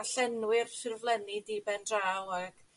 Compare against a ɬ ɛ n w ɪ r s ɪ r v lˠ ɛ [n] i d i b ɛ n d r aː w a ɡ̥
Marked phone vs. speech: correct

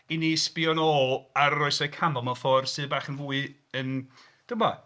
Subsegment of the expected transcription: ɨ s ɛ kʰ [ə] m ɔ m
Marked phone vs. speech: incorrect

